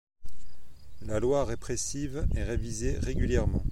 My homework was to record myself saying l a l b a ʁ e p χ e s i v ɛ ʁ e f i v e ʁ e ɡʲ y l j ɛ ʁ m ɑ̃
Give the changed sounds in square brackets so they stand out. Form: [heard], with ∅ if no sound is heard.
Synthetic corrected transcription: l a l [w] a ʁ e p χ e s i v ɛ ʁ e [v] i [z] e ʁ e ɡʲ y l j ɛ ʁ m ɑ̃